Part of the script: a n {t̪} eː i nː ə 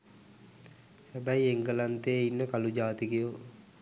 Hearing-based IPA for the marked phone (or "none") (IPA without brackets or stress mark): t̪